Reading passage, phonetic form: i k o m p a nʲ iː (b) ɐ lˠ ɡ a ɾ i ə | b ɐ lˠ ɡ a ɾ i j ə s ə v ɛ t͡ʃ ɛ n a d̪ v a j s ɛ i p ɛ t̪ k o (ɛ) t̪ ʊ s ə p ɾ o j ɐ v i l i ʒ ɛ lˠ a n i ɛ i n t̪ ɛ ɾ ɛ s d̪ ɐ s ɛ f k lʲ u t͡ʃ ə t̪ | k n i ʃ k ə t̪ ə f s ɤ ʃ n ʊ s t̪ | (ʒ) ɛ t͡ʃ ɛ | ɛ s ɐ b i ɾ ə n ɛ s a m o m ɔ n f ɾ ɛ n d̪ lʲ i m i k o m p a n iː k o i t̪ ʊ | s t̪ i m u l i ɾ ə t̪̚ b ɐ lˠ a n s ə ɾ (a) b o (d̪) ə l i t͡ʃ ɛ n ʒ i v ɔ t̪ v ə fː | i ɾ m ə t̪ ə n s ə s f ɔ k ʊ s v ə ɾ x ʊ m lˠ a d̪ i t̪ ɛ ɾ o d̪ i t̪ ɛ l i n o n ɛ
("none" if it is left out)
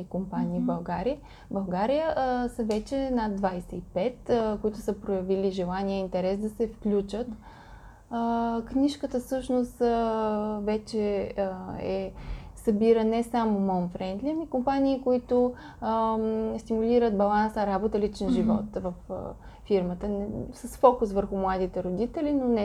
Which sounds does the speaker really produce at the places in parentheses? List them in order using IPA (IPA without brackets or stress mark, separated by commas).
b, i, v, a, t̪